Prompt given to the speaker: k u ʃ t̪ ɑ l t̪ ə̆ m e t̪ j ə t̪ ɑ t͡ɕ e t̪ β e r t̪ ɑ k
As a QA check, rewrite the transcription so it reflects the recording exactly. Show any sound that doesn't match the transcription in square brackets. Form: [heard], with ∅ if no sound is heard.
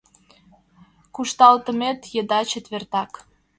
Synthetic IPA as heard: k u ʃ t̪ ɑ l t̪ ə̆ m e t̪ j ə [d̪] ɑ t͡ɕ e t̪ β e r t̪ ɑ k